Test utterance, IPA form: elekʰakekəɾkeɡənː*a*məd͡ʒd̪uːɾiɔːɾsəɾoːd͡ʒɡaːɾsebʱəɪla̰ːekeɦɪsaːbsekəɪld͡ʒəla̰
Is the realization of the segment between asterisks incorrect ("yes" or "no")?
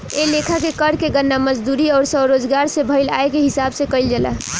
no